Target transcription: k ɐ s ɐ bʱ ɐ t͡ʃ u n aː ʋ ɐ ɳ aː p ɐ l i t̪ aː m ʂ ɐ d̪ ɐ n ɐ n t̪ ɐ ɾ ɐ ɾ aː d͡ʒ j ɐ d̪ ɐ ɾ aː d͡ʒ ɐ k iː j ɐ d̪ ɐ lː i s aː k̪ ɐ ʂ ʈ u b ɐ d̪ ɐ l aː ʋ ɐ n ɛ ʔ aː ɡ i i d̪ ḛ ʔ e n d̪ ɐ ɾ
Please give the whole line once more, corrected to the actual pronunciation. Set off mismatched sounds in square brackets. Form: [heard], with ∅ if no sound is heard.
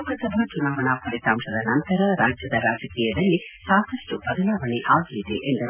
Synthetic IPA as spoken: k ɐ s ɐ bʱ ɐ t͡ʃ u n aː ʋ ɐ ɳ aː p ɐ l i t̪ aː m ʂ ɐ d̪ ɐ n ɐ n t̪ ɐ ɾ ɐ ɾ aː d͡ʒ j ɐ d̪ ɐ ɾ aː d͡ʒ ɐ k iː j ɐ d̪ ɐ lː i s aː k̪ ɐ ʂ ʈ u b ɐ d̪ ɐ l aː ʋ ɐ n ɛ ʔ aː ɡ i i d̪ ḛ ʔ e n d̪ ɐ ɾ